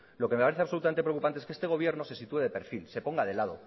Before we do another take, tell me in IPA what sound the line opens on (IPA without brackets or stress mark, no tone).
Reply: l